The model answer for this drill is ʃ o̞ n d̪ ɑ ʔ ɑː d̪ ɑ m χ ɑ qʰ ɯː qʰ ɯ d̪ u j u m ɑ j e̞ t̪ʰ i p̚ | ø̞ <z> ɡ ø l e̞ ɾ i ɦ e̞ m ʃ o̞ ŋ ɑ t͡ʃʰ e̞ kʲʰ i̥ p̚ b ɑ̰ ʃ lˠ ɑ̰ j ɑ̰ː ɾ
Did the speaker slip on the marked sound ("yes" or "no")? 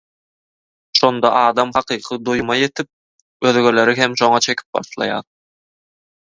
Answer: yes